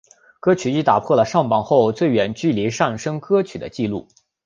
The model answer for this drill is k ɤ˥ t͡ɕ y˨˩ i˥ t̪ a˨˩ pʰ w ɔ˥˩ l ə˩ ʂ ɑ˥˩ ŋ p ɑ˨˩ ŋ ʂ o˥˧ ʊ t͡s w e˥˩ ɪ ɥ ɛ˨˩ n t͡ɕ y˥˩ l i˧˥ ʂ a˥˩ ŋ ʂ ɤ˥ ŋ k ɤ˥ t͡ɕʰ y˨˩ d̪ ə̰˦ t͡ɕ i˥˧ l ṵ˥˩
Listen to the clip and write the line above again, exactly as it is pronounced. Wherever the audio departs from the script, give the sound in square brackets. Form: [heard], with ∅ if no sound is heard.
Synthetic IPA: k ɤ˥ [t͡ɕʰ] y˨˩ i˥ t̪ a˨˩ pʰ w ɔ˥˩ l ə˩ ʂ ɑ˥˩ ŋ p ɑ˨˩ ŋ [x] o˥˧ ʊ t͡s w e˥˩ ɪ ɥ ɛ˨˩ n t͡ɕ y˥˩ l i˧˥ ʂ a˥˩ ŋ ʂ ɤ˥ ŋ k ɤ˥ t͡ɕʰ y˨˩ d̪ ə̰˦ t͡ɕ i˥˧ l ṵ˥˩